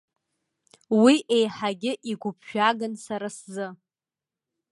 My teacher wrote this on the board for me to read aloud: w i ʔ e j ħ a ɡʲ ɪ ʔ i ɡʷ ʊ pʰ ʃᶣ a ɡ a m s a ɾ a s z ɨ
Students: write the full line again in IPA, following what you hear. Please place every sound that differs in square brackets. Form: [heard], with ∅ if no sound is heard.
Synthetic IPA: w i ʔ e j ħ a ɡʲ ɪ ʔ i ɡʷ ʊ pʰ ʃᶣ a ɡ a [n] s a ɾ a s z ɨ